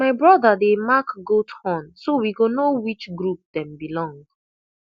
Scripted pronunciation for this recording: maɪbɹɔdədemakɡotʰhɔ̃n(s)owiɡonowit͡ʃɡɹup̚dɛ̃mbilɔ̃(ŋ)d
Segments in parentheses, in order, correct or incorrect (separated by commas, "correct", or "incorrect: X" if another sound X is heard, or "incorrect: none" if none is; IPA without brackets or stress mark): correct, correct